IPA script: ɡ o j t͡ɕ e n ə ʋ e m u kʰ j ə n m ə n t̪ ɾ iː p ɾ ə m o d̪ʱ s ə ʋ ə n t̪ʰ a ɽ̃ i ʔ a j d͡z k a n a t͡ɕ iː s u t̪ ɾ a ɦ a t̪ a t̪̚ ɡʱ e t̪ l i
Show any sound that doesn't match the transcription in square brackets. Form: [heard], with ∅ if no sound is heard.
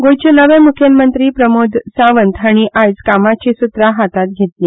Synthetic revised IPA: ɡ o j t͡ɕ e n ə ʋ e m u kʰ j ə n m ə n t̪ ɾ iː p ɾ ə m o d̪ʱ s [a] ʋ ə n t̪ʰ a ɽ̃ i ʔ a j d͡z k a [m] a t͡ɕ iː s u t̪ ɾ a ɦ a t̪ a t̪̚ ɡʱ e t̪ l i